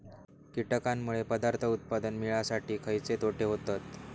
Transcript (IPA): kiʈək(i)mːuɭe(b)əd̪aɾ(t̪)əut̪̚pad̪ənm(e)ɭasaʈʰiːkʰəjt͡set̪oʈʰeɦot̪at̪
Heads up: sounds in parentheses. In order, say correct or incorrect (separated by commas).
incorrect, incorrect, incorrect, incorrect